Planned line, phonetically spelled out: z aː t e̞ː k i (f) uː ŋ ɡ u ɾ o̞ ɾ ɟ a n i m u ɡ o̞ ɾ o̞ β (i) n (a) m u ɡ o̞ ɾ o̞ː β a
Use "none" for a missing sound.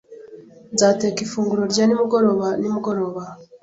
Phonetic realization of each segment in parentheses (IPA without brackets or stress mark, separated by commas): f, a, i